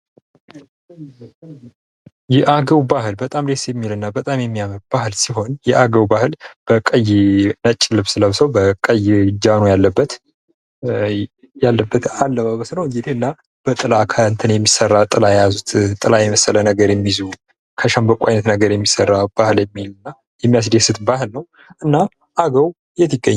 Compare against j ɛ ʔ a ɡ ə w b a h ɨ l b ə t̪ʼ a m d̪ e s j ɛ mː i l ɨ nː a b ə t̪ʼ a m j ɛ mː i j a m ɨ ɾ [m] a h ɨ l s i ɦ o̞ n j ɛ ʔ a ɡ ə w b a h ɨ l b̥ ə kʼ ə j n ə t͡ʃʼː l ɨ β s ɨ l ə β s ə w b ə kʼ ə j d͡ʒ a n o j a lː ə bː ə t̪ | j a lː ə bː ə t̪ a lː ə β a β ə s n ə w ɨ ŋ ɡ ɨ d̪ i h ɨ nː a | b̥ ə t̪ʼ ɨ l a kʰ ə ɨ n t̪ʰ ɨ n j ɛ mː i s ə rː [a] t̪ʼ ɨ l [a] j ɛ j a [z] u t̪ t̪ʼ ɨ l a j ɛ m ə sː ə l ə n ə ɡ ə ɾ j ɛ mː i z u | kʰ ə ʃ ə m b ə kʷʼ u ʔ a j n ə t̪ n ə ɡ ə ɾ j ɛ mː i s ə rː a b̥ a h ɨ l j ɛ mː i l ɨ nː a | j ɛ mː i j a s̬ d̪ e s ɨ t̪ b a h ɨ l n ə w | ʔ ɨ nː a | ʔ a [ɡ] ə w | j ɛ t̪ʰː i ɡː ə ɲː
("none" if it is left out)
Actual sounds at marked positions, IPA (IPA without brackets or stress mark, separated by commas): b, a, a, z, ɡ